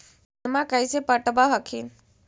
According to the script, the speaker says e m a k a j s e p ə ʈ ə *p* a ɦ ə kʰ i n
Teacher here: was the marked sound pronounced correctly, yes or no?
no